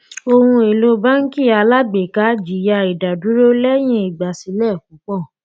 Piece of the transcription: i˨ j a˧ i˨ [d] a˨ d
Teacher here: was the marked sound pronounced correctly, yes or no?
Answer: yes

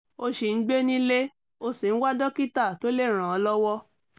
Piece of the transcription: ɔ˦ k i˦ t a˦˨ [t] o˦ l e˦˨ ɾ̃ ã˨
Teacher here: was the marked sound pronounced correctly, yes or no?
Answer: yes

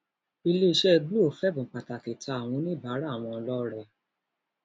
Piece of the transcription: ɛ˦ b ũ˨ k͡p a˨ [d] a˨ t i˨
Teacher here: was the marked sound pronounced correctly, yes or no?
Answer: no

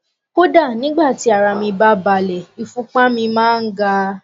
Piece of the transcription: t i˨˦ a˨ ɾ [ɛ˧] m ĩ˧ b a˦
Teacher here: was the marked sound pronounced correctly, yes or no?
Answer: no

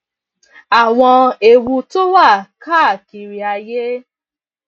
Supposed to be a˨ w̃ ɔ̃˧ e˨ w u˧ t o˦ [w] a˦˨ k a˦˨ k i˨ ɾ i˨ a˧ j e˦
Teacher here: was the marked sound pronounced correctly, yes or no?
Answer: yes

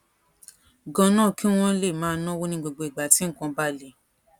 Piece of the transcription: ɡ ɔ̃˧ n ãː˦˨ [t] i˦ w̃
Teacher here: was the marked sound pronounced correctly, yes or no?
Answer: no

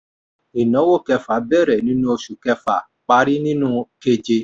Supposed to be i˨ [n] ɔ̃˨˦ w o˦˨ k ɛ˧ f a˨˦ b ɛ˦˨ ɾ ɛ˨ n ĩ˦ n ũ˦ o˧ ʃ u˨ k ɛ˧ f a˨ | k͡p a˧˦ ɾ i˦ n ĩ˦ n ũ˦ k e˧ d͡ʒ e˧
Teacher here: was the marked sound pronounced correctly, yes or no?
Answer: yes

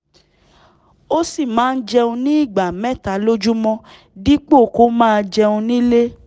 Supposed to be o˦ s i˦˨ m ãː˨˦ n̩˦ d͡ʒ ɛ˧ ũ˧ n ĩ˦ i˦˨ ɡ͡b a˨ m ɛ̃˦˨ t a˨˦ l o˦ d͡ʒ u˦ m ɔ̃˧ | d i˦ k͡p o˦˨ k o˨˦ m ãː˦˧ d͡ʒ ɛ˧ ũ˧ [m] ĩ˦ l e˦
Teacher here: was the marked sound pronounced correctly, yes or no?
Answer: no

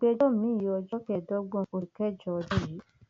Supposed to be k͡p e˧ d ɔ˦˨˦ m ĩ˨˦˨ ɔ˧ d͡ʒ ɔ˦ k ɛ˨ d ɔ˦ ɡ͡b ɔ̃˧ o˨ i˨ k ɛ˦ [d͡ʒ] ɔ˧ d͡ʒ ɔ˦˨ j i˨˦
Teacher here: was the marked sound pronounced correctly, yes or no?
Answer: yes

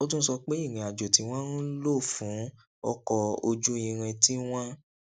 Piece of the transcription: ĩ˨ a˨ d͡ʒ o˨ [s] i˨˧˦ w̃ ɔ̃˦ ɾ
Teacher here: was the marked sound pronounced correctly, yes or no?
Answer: no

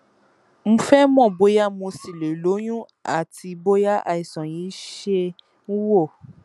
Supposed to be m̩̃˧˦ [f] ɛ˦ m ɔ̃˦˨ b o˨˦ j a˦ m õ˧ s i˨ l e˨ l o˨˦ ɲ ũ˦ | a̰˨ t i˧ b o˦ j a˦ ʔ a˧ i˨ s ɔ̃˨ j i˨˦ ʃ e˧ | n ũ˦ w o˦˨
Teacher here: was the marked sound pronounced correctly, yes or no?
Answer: yes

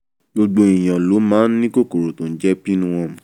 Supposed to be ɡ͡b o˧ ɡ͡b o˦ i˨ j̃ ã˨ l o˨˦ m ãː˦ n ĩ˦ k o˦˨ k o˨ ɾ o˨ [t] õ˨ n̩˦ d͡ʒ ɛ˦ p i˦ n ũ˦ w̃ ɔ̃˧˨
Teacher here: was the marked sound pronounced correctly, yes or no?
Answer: yes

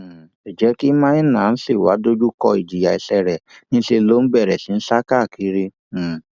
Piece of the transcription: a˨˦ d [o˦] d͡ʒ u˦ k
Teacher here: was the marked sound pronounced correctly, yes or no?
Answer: yes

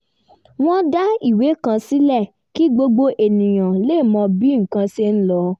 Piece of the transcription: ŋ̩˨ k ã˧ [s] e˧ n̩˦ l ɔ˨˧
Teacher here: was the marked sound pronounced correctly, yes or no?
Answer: yes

